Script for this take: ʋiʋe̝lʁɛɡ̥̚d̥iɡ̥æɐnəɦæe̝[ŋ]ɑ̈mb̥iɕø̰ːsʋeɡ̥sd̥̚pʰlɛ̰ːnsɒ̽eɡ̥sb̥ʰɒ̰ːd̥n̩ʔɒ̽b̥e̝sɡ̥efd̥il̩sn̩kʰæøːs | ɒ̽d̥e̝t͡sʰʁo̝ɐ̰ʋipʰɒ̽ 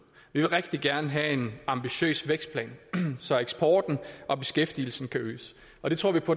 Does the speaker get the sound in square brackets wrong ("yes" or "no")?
yes